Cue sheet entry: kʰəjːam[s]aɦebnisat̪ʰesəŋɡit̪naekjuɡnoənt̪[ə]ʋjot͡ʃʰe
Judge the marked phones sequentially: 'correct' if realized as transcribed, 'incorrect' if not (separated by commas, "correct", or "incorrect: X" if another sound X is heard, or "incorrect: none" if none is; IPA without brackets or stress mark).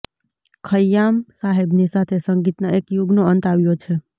correct, incorrect: a